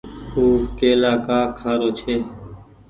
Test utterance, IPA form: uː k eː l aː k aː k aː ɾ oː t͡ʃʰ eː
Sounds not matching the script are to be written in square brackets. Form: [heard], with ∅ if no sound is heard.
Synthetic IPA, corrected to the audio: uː k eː l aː k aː [kʰ] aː ɾ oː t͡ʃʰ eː